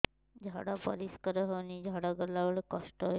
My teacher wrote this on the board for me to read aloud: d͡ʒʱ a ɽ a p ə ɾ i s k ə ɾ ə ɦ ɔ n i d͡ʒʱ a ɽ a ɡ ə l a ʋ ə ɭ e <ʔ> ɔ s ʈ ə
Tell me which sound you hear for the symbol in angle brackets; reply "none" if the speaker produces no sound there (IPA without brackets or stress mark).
k